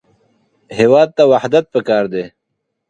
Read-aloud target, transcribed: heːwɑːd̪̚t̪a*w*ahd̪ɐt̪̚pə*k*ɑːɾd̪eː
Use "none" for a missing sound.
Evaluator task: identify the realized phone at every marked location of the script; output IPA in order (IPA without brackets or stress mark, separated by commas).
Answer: w, k